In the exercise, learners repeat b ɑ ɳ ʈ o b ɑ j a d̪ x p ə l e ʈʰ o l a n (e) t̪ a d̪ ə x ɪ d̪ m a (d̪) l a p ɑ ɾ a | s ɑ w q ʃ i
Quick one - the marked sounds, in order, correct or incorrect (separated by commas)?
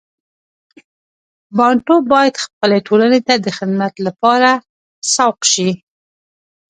correct, incorrect